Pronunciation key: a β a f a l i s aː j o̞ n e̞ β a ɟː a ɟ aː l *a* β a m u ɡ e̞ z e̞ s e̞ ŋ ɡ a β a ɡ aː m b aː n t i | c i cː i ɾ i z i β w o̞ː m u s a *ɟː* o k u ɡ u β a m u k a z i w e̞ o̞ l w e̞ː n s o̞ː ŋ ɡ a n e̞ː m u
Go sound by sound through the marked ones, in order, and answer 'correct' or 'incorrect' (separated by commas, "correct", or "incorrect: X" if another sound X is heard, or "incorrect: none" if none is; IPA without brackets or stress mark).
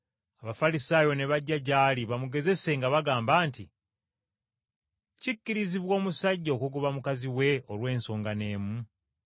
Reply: incorrect: i, correct